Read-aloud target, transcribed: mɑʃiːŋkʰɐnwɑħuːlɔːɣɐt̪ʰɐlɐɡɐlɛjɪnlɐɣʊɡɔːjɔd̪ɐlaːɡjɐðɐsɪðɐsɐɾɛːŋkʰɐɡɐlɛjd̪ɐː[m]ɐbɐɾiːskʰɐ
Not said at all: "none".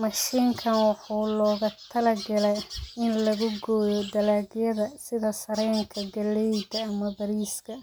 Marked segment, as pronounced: m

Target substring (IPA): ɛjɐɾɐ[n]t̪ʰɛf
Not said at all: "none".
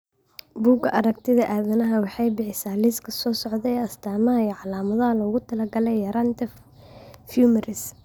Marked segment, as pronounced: n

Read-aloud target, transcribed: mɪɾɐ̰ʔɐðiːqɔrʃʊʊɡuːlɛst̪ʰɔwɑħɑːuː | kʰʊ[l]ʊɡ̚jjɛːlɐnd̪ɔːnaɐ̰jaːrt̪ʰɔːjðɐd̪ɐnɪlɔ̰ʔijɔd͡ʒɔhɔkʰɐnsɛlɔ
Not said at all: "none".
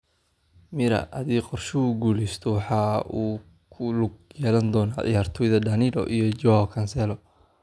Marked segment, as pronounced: l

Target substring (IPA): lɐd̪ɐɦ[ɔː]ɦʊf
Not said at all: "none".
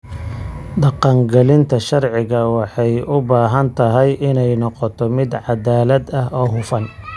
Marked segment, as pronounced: ɔː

